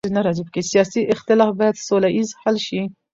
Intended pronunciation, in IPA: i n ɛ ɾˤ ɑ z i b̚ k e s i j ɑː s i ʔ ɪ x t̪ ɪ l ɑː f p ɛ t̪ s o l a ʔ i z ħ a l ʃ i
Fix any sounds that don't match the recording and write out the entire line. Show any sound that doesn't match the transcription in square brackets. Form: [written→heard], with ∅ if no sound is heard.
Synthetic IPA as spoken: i n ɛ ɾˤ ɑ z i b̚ k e s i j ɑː s i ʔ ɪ x t̪ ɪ l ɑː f [p→b] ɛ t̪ s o l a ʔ i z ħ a l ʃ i

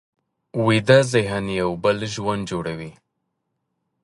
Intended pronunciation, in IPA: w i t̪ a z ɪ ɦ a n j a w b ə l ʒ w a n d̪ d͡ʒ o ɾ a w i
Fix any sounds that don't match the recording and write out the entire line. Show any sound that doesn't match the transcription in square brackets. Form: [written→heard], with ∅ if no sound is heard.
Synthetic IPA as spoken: w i [t̪→d̪] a z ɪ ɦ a n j a w b ə l ʒ w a n d̪ d͡ʒ o [ɾ→ɽ] a w i

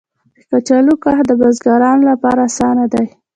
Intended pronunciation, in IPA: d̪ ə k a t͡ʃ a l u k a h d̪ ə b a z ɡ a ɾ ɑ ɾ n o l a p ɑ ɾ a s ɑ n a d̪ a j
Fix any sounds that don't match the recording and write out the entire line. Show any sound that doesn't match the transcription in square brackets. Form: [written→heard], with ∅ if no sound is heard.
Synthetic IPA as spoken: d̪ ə k a t͡ʃ a l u k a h d̪ ə b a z ɡ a ɾ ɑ [ɾ→∅] n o l a p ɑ ɾ a s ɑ n a d̪ a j

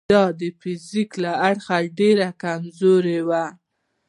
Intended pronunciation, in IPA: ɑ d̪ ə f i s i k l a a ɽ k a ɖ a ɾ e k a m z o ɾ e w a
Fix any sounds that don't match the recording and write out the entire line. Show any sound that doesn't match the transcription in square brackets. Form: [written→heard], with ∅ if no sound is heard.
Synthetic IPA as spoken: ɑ d̪ ə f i [s→z] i k l a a ɽ [k→x] a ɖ [a→e] ɾ [e→a] k a m z o ɾ e w a

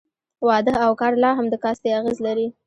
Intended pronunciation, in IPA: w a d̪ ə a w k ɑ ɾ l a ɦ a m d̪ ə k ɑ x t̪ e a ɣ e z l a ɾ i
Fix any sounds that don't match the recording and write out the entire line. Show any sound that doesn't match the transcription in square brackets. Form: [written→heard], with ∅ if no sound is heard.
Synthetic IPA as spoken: w [a→ɑ] d̪ ə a w k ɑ ɾ l [a→ɑ] ɦ a m d̪ ə k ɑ [x→s] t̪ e a ɣ e z l a ɾ i

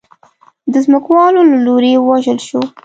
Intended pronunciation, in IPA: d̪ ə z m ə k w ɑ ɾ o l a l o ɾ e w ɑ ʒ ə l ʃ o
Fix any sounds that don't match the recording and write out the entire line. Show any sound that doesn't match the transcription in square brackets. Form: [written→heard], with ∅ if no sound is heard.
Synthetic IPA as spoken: d̪ ə z m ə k w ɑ [ɾ→l] o l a l o ɾ e w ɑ ʒ ə l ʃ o

